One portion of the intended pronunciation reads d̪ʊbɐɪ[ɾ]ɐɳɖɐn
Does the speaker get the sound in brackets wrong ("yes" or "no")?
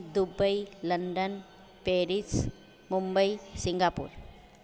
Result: yes